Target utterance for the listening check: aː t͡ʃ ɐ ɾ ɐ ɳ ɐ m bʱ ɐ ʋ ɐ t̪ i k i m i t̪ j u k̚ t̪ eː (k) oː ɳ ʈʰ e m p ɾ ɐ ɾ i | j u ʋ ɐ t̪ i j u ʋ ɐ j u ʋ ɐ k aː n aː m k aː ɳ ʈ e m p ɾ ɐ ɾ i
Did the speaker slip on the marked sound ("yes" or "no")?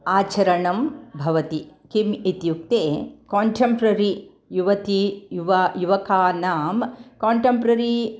no